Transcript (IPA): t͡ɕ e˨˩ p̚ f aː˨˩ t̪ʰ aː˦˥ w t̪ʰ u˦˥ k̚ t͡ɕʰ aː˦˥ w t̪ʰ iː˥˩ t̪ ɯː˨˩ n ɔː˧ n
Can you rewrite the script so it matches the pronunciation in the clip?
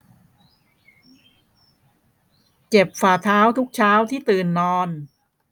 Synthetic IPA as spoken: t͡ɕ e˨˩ p̚ f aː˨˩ t̪ʰ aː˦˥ w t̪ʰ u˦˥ k̚ t͡ɕʰ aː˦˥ w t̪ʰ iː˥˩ t̪ ɯː˨˩ nː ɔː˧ n